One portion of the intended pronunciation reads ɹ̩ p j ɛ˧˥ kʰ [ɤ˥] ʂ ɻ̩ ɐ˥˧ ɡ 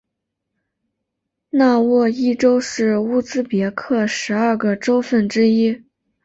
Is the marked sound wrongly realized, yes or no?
yes